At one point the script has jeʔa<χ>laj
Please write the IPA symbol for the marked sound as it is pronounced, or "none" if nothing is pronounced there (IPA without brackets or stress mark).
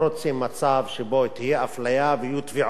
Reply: f